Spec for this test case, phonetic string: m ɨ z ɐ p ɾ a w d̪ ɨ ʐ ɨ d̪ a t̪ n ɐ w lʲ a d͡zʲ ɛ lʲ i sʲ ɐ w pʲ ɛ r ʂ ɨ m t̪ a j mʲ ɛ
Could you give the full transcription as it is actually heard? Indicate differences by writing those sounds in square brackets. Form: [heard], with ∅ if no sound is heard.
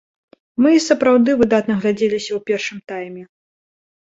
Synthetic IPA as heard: m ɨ [s] ɐ p ɾ a w d̪ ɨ [v] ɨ d̪ a t̪ n ɐ [ɣ] lʲ a d͡zʲ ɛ lʲ i sʲ ɐ w pʲ ɛ r ʂ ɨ m t̪ a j mʲ ɛ